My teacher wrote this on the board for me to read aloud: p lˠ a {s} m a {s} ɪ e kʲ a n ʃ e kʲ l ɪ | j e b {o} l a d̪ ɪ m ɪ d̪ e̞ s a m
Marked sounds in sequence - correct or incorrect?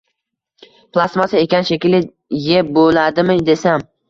correct, correct, correct

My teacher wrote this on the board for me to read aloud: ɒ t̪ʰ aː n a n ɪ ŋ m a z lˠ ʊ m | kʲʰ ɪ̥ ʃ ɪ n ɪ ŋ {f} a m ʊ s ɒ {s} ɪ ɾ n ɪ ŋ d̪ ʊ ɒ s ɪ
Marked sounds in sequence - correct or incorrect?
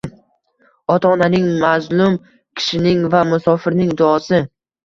incorrect: v, incorrect: f

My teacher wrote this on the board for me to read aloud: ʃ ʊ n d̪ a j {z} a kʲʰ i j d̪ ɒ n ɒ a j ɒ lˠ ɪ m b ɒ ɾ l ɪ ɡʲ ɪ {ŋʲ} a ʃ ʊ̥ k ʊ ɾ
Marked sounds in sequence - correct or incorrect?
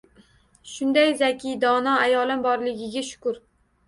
correct, incorrect: ɡʲ

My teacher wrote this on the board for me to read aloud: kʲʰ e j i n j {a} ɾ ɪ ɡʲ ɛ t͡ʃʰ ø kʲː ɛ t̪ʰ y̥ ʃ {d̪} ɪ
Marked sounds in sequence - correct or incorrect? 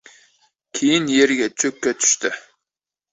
incorrect: e, incorrect: t̪

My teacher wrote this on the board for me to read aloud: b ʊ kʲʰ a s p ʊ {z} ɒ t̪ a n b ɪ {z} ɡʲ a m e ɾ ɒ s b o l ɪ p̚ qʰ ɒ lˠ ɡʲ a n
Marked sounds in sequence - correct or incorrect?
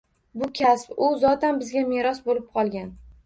correct, correct

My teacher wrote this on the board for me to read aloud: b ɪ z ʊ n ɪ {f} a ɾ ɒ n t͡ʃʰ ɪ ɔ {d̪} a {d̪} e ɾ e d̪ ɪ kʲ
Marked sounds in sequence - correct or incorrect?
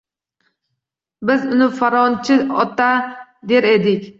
correct, incorrect: t̪, correct

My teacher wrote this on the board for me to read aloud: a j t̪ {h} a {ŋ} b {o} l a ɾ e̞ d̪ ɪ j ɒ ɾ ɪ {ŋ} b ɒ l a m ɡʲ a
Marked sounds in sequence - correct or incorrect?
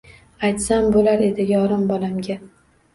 incorrect: s, incorrect: m, correct, incorrect: m

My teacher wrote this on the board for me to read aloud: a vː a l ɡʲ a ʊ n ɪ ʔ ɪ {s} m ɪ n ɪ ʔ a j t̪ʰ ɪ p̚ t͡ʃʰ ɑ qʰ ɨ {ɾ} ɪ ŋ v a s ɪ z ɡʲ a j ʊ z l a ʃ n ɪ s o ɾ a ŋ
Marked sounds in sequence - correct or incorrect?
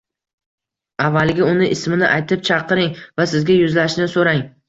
correct, correct

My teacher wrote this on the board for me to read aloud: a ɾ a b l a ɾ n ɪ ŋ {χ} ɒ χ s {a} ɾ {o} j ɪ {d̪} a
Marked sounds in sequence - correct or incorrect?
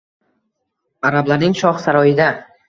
incorrect: ʃ, correct, incorrect: ɒ, correct

